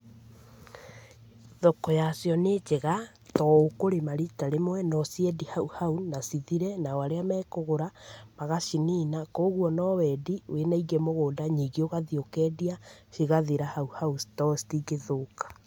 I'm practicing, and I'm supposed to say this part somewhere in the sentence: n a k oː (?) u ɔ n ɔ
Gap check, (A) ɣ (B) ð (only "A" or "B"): A